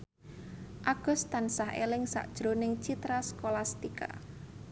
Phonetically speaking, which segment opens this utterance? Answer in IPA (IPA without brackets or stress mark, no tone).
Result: ʔ